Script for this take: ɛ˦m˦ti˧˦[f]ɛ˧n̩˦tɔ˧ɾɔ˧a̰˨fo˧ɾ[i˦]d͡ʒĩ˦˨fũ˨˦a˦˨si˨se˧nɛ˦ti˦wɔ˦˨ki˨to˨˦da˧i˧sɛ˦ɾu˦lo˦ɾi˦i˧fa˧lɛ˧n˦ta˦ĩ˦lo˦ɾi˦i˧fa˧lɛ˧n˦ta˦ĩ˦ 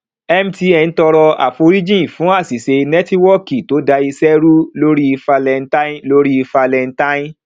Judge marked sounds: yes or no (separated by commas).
no, yes